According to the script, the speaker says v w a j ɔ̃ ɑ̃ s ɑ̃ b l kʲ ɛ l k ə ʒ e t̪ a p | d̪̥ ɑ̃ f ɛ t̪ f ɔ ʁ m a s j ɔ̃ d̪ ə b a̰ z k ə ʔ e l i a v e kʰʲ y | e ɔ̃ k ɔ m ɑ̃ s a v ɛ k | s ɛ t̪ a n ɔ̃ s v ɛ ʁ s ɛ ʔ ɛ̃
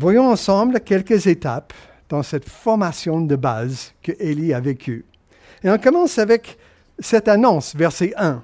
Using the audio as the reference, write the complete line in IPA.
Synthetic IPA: v w a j ɔ̃ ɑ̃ s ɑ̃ b l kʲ ɛ l k ə z e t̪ a p | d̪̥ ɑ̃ s ɛ t̪ f ɔ ʁ m a s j ɔ̃ d̪ ə b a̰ z k ə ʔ e l i a v e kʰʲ y | e ɔ̃ k ɔ m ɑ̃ s a v ɛ k | s ɛ t̪ a n ɔ̃ s v ɛ ʁ s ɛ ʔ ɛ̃